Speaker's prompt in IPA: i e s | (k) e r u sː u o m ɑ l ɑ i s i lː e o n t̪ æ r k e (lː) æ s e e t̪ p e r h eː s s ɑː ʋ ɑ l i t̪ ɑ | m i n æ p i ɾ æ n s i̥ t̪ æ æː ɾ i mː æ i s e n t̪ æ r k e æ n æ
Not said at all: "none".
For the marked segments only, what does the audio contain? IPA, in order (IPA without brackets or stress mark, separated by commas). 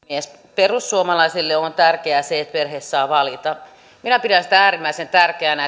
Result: p, none